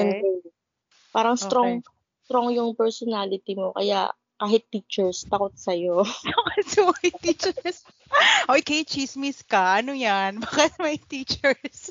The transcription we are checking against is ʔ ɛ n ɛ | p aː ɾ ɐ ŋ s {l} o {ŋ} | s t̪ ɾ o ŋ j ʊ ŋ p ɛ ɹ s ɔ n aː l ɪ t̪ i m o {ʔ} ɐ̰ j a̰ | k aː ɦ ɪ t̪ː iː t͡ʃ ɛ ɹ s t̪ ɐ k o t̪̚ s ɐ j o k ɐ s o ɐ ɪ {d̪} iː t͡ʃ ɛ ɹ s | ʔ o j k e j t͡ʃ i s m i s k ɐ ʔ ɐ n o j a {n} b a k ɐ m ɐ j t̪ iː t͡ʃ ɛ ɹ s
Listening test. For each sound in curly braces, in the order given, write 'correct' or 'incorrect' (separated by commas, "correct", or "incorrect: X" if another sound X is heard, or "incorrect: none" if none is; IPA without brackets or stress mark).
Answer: incorrect: ɾ, correct, incorrect: k, incorrect: t̪, correct